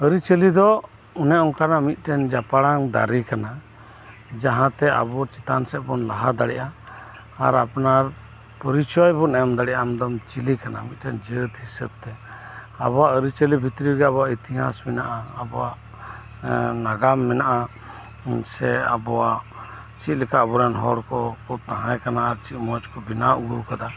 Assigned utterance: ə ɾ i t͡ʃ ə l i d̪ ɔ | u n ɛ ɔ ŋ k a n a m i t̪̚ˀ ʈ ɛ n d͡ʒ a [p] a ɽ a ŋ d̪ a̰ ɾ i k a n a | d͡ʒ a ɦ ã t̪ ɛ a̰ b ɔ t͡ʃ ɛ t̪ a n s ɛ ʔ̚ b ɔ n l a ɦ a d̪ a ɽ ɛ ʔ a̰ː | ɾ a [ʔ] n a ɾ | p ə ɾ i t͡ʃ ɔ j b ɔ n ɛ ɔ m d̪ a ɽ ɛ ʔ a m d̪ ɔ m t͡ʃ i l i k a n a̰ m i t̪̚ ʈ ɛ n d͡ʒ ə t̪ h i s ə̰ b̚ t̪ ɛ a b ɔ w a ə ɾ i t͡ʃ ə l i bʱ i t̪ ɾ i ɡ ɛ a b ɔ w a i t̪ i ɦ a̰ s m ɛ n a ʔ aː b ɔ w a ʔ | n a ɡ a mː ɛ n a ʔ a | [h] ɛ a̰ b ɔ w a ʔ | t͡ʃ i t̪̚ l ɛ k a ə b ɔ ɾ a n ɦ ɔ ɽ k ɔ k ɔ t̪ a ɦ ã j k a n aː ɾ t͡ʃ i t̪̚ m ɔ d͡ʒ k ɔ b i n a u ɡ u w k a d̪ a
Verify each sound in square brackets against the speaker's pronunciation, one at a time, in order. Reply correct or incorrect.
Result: correct, incorrect, incorrect

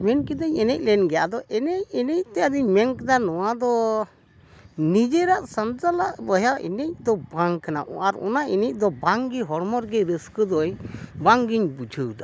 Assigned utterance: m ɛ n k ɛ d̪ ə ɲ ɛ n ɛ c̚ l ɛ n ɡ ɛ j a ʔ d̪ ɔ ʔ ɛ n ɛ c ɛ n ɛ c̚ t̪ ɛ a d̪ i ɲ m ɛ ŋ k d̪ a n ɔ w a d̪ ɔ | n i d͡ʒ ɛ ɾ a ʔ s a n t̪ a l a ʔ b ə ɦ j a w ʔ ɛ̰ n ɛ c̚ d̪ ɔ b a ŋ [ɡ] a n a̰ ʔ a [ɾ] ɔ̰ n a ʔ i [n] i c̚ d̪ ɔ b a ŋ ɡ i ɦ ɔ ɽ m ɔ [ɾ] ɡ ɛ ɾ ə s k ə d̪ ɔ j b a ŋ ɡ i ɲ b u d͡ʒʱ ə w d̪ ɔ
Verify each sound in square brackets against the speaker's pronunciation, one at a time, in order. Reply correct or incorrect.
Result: incorrect, correct, correct, correct

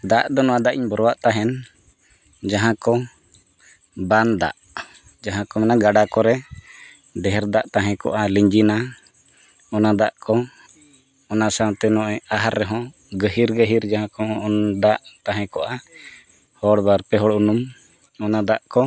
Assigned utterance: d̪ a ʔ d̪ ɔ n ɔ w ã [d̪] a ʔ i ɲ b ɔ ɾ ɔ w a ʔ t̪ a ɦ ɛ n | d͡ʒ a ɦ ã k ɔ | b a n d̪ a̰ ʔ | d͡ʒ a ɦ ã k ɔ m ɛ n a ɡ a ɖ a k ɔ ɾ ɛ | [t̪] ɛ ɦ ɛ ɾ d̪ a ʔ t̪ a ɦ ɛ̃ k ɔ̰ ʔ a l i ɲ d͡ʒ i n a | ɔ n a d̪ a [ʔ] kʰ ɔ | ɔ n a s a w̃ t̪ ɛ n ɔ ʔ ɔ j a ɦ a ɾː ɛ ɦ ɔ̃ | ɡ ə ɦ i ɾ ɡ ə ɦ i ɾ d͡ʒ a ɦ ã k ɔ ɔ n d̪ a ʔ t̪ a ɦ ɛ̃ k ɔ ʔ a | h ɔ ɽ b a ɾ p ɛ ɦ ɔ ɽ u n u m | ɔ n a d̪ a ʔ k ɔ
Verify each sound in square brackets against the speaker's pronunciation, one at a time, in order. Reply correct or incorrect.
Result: correct, incorrect, correct

